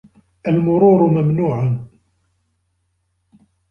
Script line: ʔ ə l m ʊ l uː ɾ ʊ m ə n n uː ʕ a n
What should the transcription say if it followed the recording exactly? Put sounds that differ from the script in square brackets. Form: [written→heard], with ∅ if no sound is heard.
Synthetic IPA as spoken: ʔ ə l m ʊ [l→ɾ] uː ɾ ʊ m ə [n→m] n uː ʕ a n